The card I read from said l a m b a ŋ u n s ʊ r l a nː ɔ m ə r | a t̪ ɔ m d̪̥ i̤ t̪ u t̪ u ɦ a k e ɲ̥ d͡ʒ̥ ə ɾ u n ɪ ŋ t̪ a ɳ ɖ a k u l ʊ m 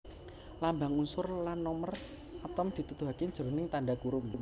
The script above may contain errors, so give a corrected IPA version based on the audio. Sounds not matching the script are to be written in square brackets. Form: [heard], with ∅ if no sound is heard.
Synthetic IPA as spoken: l a m b a ŋ u n s ʊ r l a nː ɔ m ə r | a t̪ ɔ m d̪̥ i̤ t̪ u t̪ u ɦ a k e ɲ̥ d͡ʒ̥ ə ɾ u n ɪ ŋ t̪ a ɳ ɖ a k u [ɾ] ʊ m